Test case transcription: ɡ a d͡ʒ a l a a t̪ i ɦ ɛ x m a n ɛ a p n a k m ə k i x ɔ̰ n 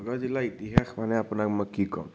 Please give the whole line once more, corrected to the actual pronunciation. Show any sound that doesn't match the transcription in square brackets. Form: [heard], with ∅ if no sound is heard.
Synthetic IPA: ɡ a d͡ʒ [i] l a [i] t̪ i ɦ [a] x m a n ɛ a p n a k m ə k i [k] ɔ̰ [m]